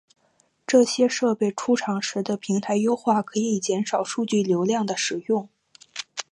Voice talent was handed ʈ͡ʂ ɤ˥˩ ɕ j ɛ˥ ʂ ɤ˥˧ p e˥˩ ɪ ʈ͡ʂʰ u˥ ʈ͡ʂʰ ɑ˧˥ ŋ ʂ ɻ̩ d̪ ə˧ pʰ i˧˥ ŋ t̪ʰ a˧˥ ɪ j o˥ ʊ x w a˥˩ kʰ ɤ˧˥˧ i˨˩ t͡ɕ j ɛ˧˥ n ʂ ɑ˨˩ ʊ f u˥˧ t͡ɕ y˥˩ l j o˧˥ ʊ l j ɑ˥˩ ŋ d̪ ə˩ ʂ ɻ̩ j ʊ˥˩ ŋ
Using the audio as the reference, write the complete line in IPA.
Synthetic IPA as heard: ʈ͡ʂ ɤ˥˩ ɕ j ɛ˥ ʂ ɤ˥˧ p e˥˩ ɪ ʈ͡ʂʰ u˥ ʈ͡ʂʰ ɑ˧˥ ŋ ʂ ɻ̩ d̪ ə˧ pʰ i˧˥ ŋ t̪ʰ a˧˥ ɪ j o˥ ʊ x w a˥˩ kʰ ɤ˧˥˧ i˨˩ t͡ɕ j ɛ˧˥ n ʂ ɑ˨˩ ʊ ʂ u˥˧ t͡ɕ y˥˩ l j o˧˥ ʊ l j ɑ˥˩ ŋ d̪ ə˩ ʂ ɻ̩ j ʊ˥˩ ŋ